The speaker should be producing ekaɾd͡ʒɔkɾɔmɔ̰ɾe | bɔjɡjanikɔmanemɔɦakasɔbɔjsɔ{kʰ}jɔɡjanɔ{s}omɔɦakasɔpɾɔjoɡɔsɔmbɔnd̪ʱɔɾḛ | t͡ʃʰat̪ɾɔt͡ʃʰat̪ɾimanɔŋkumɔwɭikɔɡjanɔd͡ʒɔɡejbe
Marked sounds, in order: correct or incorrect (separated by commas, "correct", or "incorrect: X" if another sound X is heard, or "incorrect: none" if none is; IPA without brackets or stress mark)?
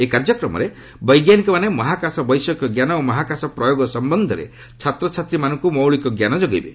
incorrect: k, incorrect: none